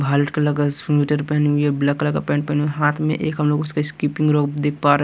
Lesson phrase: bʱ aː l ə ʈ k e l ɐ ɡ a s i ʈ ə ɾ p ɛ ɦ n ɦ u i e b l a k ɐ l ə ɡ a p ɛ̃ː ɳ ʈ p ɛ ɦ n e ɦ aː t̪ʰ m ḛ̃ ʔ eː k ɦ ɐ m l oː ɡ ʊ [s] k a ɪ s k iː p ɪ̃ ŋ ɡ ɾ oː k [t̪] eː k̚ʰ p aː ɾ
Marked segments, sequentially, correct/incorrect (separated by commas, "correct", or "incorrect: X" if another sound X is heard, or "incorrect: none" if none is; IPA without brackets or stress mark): correct, incorrect: d̪